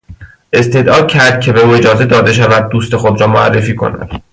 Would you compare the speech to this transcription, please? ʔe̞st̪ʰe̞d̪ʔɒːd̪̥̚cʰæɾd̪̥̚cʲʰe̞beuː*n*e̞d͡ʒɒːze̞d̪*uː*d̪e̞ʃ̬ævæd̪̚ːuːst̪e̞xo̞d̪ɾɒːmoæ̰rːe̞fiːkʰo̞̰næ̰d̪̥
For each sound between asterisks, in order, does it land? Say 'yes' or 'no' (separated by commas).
no, no